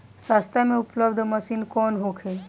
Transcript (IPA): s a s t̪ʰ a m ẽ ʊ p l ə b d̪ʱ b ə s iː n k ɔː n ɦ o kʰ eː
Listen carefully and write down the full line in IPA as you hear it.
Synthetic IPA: s a s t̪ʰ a m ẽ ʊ p l ə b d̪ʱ m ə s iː n k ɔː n ɦ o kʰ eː